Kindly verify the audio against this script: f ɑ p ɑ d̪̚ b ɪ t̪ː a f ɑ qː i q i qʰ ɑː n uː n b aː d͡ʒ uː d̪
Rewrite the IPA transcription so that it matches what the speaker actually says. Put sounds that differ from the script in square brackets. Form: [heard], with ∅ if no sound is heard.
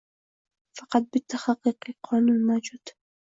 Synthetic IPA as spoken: f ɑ [q] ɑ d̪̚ b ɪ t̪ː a [x] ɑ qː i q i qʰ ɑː n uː n [m] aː d͡ʒ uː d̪